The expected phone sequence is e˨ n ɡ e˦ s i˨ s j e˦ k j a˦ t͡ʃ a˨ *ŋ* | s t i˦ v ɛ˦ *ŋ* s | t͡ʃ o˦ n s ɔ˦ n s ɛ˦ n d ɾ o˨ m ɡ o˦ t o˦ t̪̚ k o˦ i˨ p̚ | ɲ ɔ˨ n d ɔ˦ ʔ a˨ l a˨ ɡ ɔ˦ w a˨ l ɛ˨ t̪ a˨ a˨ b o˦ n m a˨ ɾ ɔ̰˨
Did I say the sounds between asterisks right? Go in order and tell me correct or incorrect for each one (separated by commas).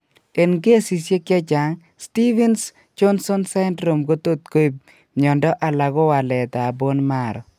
correct, incorrect